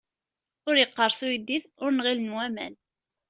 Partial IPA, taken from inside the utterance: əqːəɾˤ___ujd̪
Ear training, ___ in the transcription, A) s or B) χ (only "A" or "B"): A